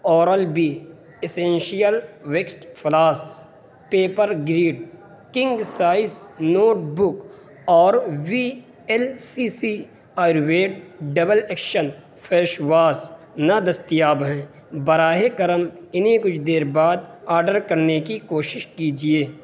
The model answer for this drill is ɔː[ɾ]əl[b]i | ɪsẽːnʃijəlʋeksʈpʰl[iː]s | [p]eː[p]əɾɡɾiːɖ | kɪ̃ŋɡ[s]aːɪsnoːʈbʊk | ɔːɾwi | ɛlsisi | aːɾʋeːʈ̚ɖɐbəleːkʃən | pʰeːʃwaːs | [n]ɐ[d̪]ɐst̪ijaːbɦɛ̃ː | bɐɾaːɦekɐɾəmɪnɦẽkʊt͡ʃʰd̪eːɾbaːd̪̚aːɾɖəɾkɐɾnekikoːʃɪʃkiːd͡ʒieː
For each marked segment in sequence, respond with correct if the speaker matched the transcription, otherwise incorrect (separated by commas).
correct, correct, incorrect, correct, correct, correct, correct, correct